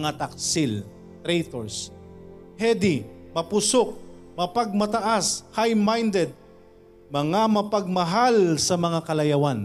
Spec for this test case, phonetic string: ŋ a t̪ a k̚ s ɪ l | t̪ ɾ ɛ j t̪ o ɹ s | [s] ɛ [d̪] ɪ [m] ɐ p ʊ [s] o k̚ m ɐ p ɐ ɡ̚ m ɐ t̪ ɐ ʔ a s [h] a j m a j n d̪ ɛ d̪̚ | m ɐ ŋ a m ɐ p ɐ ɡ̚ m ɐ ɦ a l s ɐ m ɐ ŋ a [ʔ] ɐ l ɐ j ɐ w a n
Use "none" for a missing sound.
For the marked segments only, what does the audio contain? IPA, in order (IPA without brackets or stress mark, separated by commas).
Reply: h, d̪, m, s, h, k